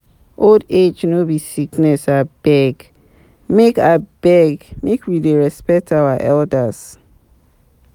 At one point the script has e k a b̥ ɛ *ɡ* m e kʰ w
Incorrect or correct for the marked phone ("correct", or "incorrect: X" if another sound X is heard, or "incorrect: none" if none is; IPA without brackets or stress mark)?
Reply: correct